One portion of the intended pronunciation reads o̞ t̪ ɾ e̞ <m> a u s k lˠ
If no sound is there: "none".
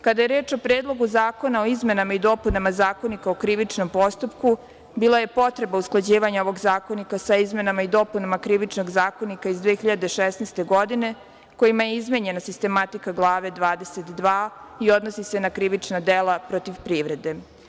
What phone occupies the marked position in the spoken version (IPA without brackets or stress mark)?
b